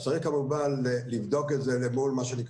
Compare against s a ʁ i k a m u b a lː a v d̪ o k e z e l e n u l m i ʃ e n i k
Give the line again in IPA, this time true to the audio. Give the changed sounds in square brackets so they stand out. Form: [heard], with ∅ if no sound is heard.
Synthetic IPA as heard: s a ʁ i k a m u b a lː [i] v d̪ o k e z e l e [m] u l m [a] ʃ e n i k